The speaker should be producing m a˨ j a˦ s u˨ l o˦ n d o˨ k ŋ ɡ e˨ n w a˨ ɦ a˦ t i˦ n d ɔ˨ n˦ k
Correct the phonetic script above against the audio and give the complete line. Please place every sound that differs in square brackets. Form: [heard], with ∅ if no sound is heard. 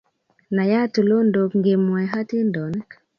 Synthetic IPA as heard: [n] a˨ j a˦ [t] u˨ l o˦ n d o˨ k ŋ ɡ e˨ [m] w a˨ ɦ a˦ t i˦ n d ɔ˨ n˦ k